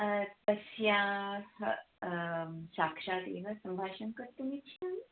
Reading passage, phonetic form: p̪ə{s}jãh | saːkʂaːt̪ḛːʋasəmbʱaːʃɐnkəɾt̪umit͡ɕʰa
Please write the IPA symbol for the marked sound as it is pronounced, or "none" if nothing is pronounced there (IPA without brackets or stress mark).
s